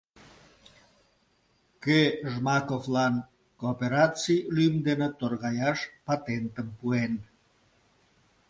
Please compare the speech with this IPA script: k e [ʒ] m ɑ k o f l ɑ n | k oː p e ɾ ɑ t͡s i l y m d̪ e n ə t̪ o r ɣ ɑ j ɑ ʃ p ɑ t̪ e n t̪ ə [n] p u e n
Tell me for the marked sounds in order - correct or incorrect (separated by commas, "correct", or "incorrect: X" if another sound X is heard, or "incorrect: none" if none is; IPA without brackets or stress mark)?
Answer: correct, incorrect: m